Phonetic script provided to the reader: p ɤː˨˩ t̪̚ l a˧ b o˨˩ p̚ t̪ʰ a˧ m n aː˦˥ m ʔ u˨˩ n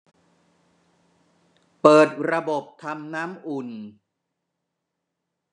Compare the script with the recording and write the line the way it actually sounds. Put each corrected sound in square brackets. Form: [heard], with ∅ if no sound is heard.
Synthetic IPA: p ɤː˨˩ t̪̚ [ɾ] a˧ b o˨˩ p̚ t̪ʰ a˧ m n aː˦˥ m ʔ u˨˩ n

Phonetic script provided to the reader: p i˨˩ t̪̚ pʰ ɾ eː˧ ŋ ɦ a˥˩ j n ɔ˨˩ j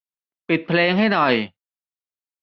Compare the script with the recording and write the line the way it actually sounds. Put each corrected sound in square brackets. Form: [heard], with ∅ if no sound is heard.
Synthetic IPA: p i˨˩ t̪̚ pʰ [l] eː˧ ŋ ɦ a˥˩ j n ɔ˨˩ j

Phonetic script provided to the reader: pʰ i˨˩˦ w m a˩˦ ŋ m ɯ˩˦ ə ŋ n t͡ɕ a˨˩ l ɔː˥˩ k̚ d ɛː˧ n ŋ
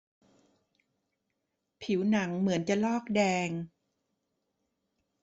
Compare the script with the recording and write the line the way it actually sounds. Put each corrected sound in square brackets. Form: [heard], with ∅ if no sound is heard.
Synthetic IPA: pʰ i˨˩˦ w [n] a˩˦ ŋ m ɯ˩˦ ə [∅] n t͡ɕ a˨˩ l ɔː˥˩ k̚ d ɛː˧ [∅] ŋ

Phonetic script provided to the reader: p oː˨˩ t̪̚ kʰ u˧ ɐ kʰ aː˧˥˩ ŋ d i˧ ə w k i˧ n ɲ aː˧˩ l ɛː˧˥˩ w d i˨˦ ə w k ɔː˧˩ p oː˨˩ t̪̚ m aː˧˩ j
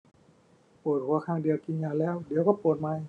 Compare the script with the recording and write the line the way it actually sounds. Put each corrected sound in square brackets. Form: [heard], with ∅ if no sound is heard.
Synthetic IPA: p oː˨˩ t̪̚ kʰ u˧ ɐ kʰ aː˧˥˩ ŋ d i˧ ə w k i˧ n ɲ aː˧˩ l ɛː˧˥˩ w d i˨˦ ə w k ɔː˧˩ p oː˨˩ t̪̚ m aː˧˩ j

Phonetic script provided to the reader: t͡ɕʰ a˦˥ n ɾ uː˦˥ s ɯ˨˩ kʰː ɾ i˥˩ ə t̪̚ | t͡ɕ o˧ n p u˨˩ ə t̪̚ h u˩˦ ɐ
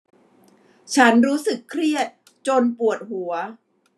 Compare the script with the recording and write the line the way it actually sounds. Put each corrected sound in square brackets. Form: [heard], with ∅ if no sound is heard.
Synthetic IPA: t͡ɕʰ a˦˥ n ɾ uː˦˥ s ɯ˨˩ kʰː ɾ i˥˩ ə t̪̚ | t͡ɕ o˧ n p u˨˩ ə t̪̚ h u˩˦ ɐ

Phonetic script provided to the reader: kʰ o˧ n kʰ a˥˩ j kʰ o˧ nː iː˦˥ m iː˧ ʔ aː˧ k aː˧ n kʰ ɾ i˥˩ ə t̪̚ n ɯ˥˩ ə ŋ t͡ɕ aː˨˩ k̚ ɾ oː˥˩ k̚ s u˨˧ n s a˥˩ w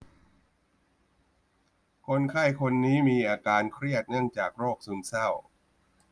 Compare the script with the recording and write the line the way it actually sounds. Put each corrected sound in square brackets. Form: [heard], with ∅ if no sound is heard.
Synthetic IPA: kʰ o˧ n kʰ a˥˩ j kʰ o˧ nː iː˦˥ m iː˧ ʔ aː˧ k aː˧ n kʰ ɾ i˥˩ ə t̪̚ n ɯ˥˩ ə ŋ t͡ɕ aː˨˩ k̚ ɾ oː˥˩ k̚ s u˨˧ n s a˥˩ w

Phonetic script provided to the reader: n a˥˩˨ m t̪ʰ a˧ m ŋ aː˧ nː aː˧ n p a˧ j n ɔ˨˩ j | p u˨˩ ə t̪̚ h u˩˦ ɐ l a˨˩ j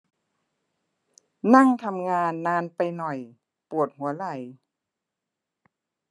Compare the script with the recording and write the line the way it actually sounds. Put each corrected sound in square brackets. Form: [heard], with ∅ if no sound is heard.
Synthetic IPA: n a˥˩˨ [ŋ] t̪ʰ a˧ m ŋ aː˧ nː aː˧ n p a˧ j n ɔ˨˩ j | p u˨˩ ə t̪̚ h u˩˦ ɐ l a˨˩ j

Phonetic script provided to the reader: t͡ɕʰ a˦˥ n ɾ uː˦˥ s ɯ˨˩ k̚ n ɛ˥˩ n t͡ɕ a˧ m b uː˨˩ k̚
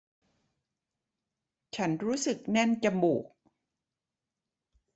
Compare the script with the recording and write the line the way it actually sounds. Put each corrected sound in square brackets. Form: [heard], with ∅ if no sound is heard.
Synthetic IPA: t͡ɕʰ a˦˥ n ɾ uː˦˥ s ɯ˨˩ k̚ n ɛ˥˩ n t͡ɕ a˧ m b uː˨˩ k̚

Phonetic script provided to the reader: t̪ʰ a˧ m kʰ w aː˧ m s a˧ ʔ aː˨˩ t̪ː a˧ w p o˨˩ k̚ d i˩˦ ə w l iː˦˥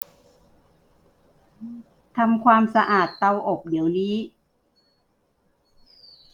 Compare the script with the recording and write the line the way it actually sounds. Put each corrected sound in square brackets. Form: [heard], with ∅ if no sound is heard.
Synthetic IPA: t̪ʰ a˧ m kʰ w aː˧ m s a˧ ʔ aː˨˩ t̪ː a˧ w [ʔ] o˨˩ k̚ d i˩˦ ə w l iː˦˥

